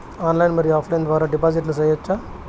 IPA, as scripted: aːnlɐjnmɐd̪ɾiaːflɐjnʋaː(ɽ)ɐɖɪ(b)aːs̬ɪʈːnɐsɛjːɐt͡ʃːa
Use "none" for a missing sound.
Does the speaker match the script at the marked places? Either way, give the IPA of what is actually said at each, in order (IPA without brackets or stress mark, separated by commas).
ɾ, p